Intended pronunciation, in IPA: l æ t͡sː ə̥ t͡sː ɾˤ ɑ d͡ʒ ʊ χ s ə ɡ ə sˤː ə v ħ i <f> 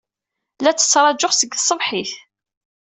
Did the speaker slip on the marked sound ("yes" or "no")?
yes